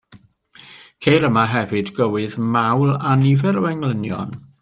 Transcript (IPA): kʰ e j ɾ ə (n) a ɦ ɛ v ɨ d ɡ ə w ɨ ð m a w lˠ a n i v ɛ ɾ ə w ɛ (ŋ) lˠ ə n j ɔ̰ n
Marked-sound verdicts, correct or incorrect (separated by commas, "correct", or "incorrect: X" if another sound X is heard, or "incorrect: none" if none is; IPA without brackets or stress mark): incorrect: m, correct